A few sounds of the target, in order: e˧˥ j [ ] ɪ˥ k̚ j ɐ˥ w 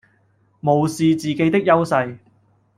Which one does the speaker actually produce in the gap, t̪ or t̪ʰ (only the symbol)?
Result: t̪